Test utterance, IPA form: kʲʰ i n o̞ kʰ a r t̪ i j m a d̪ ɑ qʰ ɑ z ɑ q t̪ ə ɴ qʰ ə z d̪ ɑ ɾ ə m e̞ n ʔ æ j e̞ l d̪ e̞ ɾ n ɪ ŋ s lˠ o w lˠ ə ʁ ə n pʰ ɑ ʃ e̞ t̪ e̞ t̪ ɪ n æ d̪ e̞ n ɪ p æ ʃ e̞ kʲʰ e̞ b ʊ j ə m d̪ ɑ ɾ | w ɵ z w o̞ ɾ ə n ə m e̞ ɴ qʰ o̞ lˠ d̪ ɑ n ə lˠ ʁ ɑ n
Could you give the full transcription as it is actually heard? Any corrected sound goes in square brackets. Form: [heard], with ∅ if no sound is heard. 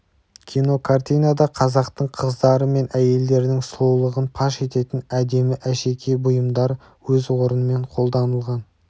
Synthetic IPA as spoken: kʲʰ i n o̞ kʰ a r t̪ i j [n] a d̪ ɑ qʰ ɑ z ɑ q t̪ ə ɴ qʰ ə z d̪ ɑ ɾ ə m e̞ n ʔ æ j e̞ l d̪ e̞ ɾ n ɪ ŋ s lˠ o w lˠ ə ʁ ə n pʰ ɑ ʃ e̞ t̪ e̞ t̪ ɪ n æ d̪ e̞ [m] ɪ [ʔ] æ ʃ e̞ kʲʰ e̞ b ʊ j ə m d̪ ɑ ɾ | w ɵ z w o̞ ɾ ə n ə m e̞ ɴ qʰ o̞ lˠ d̪ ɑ n ə lˠ ʁ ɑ n